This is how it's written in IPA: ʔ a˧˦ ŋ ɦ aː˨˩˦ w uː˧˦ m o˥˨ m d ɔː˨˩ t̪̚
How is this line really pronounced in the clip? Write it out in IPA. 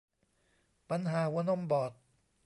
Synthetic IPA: p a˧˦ n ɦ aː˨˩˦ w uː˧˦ n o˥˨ m b ɔː˨˩ t̪̚